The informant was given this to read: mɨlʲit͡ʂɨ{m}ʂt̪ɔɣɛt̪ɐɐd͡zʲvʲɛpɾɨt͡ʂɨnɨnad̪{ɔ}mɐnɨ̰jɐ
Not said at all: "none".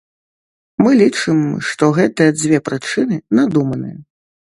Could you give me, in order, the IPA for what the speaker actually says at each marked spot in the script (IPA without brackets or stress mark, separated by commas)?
m, u